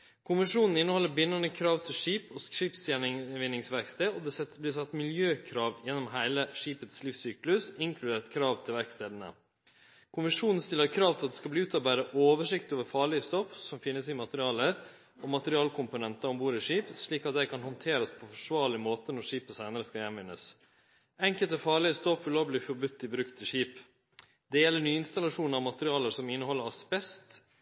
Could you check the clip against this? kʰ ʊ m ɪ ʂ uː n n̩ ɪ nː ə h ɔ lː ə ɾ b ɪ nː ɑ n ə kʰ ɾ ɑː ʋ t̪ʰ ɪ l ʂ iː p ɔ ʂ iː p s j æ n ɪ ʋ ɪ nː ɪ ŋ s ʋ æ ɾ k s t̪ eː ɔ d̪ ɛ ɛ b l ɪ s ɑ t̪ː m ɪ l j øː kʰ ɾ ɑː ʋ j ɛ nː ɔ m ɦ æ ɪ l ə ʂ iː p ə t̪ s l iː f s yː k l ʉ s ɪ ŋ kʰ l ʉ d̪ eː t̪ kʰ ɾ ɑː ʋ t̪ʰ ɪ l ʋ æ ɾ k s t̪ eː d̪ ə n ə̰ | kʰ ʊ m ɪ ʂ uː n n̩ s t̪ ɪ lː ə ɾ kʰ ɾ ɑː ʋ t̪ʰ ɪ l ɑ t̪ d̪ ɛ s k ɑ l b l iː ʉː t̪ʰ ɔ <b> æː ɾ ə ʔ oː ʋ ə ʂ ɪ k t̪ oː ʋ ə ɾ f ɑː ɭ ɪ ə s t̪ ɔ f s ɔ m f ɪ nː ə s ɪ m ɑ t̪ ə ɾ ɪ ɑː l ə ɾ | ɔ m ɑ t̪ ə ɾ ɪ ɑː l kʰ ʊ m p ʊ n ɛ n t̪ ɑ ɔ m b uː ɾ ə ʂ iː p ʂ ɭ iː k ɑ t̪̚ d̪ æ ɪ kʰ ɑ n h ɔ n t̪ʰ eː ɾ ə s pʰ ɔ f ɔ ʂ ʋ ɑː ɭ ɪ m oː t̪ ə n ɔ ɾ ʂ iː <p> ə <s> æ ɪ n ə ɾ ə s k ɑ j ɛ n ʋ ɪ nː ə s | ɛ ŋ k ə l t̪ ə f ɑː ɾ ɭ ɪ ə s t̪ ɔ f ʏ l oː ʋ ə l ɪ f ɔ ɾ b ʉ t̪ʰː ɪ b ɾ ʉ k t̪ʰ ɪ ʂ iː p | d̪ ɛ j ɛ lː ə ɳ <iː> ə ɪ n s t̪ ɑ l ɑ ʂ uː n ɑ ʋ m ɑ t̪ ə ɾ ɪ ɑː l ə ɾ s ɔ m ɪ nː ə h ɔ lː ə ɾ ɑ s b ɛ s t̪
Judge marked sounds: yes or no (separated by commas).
yes, yes, yes, no